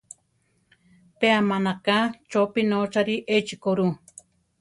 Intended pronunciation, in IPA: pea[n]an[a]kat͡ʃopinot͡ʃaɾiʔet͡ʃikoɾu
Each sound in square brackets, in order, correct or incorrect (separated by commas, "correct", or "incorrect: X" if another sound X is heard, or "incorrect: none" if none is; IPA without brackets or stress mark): incorrect: m, correct